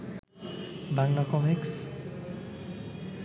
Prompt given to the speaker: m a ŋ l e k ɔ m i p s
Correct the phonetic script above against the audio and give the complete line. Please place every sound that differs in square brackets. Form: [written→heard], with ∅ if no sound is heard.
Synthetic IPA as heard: [m→b] a ŋ l [e→a] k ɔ m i [p→k] s